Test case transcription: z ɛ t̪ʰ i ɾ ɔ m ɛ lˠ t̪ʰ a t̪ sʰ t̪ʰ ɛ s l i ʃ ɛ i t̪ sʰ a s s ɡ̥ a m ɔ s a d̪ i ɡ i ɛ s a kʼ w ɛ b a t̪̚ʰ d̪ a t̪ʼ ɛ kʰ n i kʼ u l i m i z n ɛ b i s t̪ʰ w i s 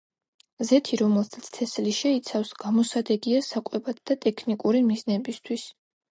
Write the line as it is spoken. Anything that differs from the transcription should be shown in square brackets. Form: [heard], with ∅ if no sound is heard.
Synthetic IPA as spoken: z ɛ t̪ʰ i ɾ ɔ m ɛ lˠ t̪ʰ a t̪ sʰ t̪ʰ ɛ s l i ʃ ɛ i t̪ sʰ a [f] s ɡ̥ a m ɔ s a d̪ [ɛ] ɡ i [a] s a kʼ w ɛ b a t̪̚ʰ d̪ a t̪ʼ ɛ kʰ n i kʼ u [ɾ] i m i z n ɛ b i s t̪ʰ w i s